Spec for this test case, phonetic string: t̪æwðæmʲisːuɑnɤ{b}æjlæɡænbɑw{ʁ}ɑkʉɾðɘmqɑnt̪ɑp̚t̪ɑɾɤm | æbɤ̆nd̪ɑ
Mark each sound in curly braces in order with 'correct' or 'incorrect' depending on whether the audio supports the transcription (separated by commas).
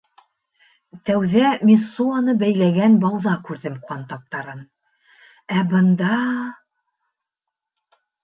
correct, incorrect